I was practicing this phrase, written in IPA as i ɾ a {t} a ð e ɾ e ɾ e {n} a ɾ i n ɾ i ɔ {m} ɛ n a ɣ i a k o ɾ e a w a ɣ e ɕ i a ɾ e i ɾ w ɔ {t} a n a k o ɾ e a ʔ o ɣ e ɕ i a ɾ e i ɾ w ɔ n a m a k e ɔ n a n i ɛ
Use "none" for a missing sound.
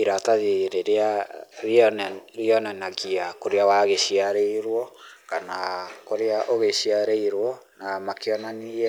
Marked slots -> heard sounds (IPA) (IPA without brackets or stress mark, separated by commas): t, none, n, k